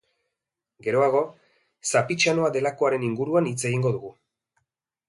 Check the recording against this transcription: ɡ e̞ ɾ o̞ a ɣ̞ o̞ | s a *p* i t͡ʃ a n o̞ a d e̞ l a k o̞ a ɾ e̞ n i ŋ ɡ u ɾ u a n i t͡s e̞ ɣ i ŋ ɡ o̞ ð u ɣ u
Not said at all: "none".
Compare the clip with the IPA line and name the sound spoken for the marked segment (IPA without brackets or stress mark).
p